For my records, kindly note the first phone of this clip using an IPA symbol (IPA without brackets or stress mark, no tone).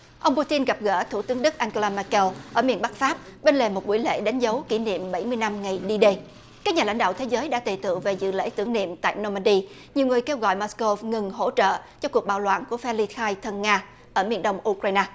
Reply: ʔ